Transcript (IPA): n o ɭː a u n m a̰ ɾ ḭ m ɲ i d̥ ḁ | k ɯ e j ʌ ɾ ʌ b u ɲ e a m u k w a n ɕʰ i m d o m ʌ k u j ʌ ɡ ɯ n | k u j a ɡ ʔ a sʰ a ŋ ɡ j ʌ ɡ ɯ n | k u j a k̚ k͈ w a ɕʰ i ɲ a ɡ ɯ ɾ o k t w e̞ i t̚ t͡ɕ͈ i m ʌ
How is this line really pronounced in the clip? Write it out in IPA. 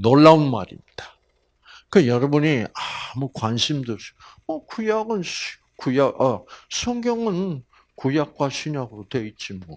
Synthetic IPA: n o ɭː a u n m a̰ ɾ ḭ m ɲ i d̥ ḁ | k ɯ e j ʌ ɾ ʌ b u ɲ i a m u k w a n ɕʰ i m d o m ʌ k u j a ɡ ɯ n | k u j a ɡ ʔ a sʰ ʌ ŋ ɡ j ʌ ŋ ɯ n | k u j a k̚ k͈ w a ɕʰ i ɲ a ɡ ɯ ɾ o t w e̞ i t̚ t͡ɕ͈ i m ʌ